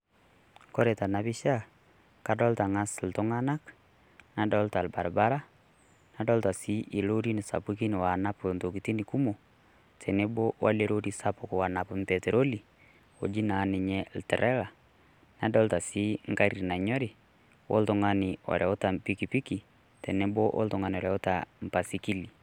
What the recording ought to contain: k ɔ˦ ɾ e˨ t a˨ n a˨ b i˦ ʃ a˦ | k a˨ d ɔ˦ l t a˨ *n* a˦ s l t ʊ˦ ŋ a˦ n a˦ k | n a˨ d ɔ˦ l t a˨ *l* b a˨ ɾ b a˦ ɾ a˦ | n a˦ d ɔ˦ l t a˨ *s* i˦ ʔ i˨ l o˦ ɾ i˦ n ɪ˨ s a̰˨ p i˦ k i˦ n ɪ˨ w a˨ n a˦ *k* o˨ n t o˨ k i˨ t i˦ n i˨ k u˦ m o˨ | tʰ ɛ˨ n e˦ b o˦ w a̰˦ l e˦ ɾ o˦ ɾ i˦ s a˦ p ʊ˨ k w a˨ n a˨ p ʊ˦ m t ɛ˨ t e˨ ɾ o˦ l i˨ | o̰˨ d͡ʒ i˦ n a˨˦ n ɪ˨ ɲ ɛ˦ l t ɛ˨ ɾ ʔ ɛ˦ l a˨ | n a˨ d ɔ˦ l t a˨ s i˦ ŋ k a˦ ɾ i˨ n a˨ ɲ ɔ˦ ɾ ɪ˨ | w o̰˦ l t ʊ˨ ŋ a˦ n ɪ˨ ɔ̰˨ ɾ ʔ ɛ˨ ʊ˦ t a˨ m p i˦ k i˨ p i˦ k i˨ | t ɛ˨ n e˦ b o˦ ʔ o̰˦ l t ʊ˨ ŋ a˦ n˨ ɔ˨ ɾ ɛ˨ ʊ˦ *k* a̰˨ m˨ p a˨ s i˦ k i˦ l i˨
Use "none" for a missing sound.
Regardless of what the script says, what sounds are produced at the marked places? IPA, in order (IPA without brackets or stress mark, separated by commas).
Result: ŋ, l, s, p, t